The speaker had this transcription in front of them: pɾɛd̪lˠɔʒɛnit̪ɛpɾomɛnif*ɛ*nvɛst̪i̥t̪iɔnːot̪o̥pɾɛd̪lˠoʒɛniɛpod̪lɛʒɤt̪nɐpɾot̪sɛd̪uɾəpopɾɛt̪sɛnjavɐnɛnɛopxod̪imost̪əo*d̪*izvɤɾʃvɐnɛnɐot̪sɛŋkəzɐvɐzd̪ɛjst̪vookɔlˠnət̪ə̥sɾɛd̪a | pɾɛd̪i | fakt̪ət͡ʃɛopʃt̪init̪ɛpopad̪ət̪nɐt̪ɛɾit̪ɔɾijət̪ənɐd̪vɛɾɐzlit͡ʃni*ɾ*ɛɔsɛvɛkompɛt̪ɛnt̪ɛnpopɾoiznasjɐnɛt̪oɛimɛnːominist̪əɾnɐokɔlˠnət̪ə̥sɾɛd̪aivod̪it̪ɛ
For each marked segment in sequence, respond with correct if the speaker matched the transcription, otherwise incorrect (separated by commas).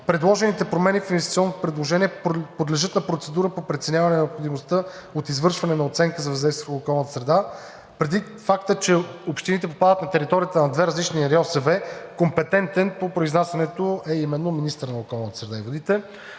incorrect, incorrect, correct